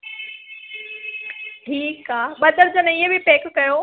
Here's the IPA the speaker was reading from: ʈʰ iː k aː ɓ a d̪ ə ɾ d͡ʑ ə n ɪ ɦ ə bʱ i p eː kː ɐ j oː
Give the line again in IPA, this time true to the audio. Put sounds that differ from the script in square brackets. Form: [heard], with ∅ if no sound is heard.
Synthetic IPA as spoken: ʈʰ iː k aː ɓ [ɐ] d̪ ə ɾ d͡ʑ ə n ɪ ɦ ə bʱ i p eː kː ɐ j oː